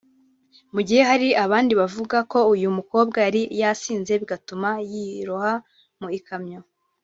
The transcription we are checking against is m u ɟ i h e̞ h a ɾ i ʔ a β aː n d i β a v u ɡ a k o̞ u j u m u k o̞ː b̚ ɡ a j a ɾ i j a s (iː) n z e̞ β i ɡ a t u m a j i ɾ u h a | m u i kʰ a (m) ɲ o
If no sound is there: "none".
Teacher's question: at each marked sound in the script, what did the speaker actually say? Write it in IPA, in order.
iː, m

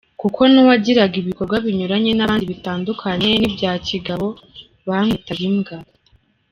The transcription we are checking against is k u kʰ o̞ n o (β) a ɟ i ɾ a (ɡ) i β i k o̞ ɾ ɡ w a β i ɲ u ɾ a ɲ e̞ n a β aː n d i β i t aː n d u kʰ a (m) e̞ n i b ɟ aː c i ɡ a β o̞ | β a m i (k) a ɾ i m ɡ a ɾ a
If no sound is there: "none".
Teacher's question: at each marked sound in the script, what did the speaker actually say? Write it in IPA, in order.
w, ɡ, ɲ, t

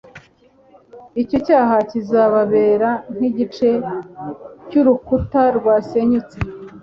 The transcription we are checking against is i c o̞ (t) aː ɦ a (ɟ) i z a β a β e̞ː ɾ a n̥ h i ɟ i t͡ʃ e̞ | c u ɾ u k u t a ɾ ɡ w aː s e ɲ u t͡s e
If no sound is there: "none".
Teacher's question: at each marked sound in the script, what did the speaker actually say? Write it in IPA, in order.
c, c

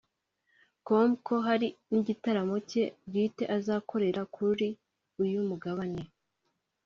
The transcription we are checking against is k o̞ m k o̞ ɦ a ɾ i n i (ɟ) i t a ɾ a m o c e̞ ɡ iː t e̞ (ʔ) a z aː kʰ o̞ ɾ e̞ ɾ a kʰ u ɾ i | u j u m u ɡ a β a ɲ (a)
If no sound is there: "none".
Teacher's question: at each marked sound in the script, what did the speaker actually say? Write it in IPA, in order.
ɟ, ʔ, e

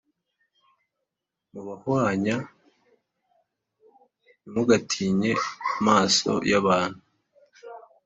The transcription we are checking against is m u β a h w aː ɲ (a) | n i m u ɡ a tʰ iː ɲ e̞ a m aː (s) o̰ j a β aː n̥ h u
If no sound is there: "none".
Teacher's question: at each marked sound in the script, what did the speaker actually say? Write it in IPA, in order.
a, s

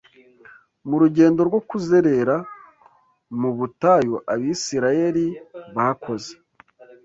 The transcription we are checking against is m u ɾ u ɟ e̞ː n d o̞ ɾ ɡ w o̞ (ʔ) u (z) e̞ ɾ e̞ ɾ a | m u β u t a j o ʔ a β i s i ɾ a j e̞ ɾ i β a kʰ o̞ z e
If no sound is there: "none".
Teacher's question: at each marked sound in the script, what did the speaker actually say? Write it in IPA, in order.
k, z

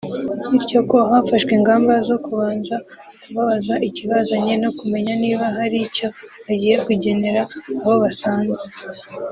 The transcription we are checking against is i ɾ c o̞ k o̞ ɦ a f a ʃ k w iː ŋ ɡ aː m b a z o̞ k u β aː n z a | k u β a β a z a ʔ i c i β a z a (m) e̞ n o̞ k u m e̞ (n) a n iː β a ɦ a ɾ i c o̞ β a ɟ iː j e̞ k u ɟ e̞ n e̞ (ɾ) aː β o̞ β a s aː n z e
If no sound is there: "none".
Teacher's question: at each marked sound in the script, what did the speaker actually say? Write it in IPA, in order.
ɲ, ɲ, ɾ

